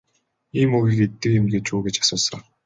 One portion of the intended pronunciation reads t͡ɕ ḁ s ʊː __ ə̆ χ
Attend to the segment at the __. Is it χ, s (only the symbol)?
s